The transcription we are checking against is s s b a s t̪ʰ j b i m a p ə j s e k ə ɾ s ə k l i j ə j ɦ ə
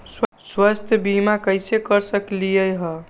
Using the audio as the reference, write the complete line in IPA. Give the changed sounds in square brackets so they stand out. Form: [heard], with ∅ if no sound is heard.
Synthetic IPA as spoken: s s [w] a s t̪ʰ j b i m a [k] ə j s e k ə ɾ s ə k l i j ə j ɦ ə